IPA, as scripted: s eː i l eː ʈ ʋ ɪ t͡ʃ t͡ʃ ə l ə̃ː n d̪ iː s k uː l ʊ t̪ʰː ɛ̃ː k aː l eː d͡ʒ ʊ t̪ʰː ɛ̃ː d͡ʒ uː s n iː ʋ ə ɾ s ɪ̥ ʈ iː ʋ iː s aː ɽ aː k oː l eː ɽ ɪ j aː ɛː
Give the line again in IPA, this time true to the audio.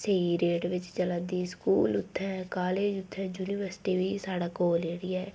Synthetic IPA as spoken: s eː i ɾ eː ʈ ʋ ɪ t͡ʃ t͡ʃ ə l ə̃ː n d̪ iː s k uː l ʊ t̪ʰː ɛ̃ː k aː l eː d͡ʒ ʊ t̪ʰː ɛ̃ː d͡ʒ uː n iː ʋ ə ɾ s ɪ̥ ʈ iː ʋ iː s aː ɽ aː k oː l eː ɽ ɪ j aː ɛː